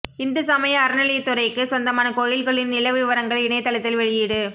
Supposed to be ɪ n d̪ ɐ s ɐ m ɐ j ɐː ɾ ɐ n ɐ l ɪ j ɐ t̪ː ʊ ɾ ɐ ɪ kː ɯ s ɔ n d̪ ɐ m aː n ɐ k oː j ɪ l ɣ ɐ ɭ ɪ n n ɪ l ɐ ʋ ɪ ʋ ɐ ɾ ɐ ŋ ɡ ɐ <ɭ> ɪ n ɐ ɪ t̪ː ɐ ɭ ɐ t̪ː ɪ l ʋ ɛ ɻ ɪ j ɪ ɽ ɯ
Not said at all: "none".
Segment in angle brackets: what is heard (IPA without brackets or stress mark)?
ɭ